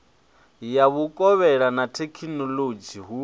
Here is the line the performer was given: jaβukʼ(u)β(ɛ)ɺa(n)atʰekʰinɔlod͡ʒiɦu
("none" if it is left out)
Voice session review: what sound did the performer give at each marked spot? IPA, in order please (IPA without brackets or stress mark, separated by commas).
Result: ɔ, ɛ, n